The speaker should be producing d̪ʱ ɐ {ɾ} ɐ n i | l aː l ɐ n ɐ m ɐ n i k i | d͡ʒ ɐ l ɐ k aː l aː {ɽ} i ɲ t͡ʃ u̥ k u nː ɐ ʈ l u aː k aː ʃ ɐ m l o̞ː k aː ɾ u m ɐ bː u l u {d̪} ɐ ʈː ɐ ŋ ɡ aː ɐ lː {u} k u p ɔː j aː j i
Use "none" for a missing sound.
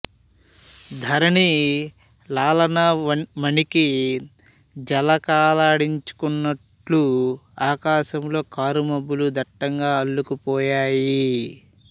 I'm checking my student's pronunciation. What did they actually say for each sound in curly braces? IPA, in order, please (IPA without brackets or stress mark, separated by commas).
ɾ, ɽ, d̪, u